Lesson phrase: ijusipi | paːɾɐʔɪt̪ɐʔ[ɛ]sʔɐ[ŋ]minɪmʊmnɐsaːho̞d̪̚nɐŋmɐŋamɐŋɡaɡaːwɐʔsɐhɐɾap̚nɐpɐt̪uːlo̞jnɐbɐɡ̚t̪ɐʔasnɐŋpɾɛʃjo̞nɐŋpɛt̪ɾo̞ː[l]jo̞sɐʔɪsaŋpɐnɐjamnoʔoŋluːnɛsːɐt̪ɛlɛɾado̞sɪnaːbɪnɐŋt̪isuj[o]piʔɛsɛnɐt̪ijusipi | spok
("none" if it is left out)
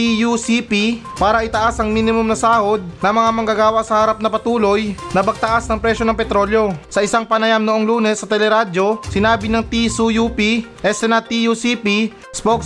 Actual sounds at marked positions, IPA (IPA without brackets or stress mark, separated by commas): a, ŋ, l, u